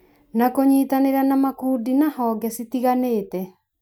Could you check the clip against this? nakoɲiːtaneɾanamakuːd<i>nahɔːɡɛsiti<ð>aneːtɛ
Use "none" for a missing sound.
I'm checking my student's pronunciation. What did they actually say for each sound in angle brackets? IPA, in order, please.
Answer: i, ɣ

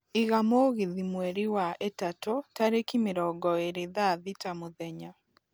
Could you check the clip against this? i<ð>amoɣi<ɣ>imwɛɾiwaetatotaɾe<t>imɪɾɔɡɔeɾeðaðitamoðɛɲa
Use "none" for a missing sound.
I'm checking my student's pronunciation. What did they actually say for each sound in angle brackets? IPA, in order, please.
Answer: ɣ, ð, k

